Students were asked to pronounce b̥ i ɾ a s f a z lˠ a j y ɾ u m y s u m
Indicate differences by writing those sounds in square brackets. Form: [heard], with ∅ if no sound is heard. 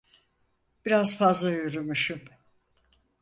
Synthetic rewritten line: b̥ i ɾ a [z] f a z lˠ a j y ɾ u m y [ʃ] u m